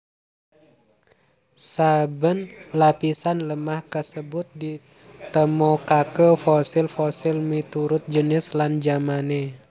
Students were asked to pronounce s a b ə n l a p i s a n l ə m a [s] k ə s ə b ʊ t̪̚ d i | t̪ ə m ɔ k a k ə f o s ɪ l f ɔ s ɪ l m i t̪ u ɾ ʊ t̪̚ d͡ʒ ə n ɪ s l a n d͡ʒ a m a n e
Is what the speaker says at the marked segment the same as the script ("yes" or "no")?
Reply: no